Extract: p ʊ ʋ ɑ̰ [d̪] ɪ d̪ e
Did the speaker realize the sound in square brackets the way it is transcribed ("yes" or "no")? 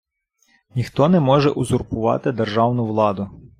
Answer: no